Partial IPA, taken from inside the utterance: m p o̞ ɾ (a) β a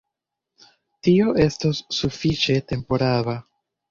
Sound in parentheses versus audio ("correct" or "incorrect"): correct